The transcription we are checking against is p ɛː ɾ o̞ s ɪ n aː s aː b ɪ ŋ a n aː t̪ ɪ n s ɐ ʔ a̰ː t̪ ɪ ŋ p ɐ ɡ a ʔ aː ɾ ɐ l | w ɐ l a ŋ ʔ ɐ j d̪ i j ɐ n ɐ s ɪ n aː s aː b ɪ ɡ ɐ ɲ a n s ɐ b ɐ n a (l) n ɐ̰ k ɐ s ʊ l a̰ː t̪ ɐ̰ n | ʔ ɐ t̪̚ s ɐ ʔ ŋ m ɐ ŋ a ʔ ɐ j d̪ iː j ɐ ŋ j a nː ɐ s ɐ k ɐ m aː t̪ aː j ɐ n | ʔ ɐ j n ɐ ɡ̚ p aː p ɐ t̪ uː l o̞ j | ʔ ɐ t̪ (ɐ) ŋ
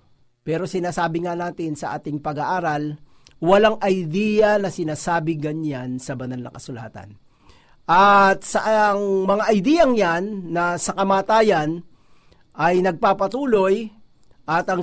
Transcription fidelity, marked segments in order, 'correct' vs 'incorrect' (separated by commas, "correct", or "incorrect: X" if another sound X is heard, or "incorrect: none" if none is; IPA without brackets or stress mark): correct, correct